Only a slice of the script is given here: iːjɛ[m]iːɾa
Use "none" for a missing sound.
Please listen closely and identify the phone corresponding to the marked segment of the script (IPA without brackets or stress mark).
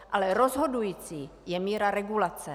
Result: m